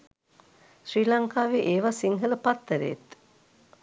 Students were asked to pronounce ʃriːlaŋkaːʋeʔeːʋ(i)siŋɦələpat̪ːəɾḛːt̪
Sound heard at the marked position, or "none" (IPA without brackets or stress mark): a